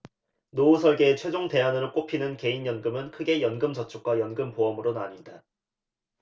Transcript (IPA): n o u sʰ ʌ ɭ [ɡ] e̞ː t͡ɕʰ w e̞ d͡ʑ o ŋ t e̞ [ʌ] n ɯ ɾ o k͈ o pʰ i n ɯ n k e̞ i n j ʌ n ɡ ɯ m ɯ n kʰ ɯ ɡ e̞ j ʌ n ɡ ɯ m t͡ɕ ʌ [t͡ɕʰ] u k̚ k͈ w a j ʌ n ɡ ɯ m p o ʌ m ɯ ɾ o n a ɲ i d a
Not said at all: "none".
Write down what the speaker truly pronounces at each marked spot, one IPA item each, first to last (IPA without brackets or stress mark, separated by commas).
ɡ, a, t͡ɕʰ